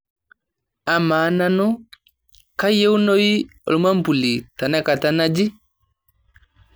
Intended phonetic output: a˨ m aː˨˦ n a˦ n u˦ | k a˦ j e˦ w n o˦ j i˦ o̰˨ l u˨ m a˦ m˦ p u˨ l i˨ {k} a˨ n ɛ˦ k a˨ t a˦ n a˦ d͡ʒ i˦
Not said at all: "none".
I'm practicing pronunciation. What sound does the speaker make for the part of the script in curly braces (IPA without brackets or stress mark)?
t